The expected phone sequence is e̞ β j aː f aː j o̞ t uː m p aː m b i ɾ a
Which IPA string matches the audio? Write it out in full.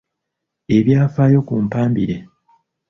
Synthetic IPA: e̞ β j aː f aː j o̞ k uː m p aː m b i ɾ e